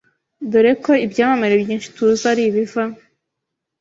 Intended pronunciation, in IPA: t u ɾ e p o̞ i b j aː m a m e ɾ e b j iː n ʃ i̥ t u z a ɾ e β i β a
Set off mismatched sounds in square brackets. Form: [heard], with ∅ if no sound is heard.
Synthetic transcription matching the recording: [d] u ɾ e [k] o̞ i b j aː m a m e ɾ e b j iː n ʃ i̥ t u z a ɾ [i] β i [v] a